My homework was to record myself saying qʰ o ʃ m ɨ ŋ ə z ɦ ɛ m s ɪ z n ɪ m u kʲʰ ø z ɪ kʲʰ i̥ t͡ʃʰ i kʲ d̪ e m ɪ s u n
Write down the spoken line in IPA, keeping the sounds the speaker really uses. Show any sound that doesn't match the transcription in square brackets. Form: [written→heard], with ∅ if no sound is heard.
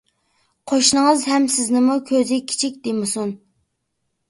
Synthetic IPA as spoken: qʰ o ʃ [m→n] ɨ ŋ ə z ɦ ɛ m s ɪ z n ɪ m u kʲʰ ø z ɪ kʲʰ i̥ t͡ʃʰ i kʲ d̪ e m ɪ s u n

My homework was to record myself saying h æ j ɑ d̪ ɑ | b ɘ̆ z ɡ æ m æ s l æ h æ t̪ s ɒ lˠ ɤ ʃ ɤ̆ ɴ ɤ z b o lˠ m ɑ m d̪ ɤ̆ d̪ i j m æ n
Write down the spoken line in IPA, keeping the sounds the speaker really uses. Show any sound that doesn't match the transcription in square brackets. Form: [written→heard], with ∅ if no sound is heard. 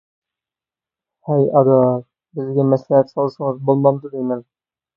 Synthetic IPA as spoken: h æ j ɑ d̪ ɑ | b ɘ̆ z ɡ æ m æ s l æ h æ t̪ s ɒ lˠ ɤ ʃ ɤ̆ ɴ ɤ z b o lˠ m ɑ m d̪ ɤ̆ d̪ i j m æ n

